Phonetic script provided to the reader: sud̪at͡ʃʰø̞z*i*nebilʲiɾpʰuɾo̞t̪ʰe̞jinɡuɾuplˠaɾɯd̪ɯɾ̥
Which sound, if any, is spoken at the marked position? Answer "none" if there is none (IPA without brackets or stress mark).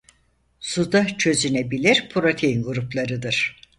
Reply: y